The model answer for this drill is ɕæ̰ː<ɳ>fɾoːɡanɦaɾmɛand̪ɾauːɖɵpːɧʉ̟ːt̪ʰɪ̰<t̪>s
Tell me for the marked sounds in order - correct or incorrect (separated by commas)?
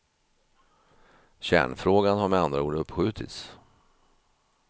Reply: correct, correct